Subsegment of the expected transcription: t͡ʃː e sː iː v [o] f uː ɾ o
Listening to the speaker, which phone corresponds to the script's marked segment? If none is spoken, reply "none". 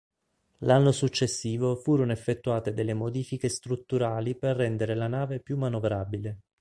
o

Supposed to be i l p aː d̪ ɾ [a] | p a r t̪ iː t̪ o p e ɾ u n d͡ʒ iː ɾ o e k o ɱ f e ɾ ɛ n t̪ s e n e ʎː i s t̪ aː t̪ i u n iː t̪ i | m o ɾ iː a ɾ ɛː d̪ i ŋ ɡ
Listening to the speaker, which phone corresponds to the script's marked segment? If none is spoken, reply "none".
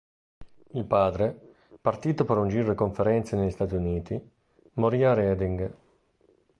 e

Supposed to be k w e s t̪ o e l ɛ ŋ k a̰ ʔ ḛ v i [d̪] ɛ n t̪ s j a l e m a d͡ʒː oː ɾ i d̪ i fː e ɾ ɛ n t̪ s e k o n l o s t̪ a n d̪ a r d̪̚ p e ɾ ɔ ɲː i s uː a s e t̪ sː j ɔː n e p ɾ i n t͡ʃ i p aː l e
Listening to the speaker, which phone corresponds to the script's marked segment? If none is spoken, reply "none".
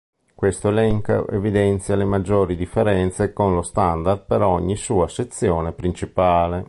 d̪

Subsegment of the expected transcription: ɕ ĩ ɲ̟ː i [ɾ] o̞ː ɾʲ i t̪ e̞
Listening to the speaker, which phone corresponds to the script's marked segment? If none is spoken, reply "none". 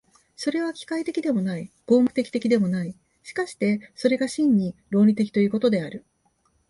ɾ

